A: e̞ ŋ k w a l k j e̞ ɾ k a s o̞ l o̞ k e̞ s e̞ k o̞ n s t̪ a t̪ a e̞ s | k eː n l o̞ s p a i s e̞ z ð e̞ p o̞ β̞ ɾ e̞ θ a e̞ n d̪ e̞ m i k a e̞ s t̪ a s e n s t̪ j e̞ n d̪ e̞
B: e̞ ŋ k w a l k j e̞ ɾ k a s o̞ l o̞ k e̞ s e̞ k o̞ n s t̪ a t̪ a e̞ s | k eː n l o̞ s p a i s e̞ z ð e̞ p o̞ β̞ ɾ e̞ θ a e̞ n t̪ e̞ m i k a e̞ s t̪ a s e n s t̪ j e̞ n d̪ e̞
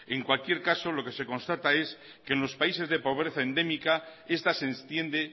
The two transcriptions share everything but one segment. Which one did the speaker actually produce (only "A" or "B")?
A